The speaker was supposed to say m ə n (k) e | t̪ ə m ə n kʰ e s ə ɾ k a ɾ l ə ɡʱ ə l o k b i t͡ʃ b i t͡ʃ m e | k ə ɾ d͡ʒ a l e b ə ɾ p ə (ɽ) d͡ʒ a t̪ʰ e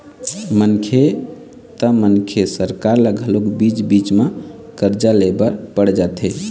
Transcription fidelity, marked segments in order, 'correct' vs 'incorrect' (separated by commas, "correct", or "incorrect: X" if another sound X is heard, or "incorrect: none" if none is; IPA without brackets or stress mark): incorrect: kʰ, correct